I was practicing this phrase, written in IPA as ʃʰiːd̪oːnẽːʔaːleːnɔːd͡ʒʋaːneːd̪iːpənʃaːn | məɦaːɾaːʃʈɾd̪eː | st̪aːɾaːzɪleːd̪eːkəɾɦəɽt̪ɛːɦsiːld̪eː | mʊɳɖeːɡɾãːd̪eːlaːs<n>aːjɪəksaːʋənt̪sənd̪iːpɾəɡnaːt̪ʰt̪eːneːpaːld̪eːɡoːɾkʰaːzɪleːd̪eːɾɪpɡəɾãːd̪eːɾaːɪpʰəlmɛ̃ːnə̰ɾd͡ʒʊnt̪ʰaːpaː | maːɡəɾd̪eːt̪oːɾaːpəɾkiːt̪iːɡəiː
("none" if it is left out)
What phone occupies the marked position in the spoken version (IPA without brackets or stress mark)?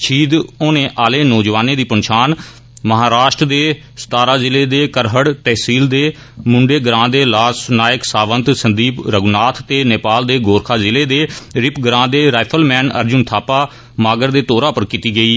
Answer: n